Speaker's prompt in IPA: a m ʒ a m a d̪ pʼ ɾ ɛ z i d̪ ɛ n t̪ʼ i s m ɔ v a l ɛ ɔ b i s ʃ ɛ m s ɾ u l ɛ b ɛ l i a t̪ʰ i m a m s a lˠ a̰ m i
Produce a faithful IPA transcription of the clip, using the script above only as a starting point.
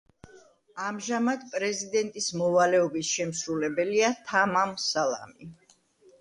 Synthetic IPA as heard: a m ʒ a m a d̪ pʼ ɾ ɛ z i d̪ ɛ n t̪ʼ i s m ɔ v a l ɛ ɔ b i s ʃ ɛ m s ɾ u l ɛ b ɛ l i a t̪ʰ a m a m s a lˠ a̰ m i